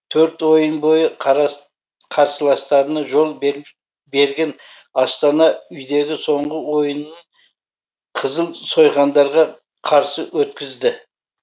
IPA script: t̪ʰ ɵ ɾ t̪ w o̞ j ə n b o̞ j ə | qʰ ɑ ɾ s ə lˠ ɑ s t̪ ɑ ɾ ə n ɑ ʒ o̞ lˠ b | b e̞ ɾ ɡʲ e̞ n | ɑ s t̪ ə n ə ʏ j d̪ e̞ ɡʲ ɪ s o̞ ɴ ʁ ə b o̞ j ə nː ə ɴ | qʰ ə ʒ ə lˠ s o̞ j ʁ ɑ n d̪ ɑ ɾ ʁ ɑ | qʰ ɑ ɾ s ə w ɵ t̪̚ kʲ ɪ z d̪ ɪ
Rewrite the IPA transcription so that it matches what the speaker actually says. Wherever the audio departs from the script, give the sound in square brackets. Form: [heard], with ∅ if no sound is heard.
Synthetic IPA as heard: t̪ʰ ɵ ɾ t̪ w o̞ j ə n b o̞ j ə | qʰ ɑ ɾ s ə lˠ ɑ s t̪ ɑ ɾ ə n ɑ ʒ o̞ lˠ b | b e̞ ɾ ɡʲ e̞ n | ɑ s t̪ [ɑ] n [ɑ] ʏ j d̪ e̞ ɡʲ ɪ s o̞ ɴ ʁ ə [w] o̞ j ə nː ə ɴ | qʰ ə [z] ə lˠ s o̞ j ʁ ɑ n d̪ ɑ ɾ ʁ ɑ | qʰ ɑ ɾ s ə w ɵ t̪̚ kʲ ɪ z d̪ ɪ